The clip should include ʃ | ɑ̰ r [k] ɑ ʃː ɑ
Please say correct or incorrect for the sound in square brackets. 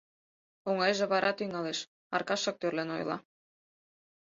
correct